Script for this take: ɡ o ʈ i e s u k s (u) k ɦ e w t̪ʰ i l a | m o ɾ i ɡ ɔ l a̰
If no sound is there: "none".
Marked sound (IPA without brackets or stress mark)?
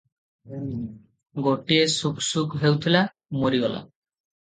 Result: u